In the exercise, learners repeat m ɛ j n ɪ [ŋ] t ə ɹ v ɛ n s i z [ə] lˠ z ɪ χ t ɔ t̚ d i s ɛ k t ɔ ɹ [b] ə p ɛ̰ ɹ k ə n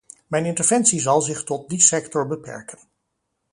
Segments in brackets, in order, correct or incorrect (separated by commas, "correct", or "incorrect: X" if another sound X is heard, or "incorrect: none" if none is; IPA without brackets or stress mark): incorrect: n, incorrect: ɑ, correct